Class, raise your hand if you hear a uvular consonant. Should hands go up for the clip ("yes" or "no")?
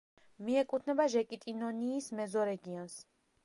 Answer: no